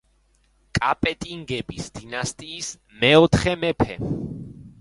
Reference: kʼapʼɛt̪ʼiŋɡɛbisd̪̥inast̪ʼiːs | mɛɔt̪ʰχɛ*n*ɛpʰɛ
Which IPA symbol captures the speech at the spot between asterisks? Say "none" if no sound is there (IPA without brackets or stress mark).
m